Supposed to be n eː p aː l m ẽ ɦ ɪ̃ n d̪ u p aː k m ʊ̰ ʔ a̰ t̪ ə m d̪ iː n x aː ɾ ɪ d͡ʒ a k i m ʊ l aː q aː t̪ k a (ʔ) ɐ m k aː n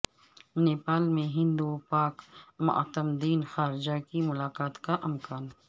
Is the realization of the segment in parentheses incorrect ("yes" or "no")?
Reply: no